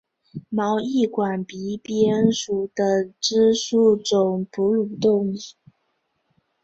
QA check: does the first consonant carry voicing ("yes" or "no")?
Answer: yes